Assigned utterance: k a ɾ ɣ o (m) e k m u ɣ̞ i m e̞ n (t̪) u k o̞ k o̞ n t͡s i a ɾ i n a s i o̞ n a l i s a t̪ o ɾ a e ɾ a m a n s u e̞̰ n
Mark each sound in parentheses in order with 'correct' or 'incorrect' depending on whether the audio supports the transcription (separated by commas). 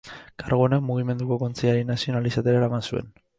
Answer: incorrect, incorrect